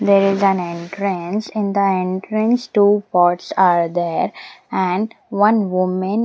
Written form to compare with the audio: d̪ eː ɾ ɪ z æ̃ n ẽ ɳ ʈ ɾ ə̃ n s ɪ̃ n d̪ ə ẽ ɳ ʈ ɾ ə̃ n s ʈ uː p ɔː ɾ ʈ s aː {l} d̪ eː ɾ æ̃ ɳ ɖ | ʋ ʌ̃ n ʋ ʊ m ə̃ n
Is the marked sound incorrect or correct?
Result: incorrect